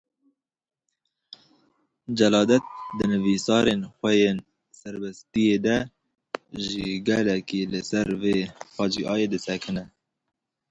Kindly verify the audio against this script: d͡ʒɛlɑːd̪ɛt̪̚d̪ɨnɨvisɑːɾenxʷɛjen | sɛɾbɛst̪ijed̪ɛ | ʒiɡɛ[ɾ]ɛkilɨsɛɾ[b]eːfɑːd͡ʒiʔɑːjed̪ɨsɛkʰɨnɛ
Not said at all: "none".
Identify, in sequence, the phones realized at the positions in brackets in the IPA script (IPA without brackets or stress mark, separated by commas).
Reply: l, v